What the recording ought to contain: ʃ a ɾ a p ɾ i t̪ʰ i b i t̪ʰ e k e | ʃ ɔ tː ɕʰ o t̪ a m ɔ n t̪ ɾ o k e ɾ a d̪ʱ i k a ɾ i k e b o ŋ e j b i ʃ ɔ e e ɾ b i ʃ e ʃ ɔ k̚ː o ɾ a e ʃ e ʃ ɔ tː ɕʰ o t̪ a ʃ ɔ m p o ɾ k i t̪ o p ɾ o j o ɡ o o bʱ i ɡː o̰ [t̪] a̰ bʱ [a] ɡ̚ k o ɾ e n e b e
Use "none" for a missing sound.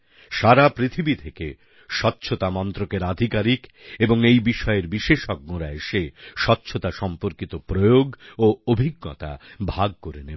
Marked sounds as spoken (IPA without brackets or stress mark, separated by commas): t̪, a